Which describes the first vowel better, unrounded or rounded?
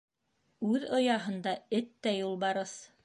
rounded